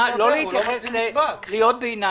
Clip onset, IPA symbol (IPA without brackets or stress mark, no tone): l